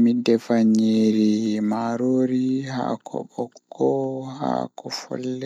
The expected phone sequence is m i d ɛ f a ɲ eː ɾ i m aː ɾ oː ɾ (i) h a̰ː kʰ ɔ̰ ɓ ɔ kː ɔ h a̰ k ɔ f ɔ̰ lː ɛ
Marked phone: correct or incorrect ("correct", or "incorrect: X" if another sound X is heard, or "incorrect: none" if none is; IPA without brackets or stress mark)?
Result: correct